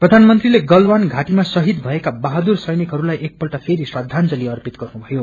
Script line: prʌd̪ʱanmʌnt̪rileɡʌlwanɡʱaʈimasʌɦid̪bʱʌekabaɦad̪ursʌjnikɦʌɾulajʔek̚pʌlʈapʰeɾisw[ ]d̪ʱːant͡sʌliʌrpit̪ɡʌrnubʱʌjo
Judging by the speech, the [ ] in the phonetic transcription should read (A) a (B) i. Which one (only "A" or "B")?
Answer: A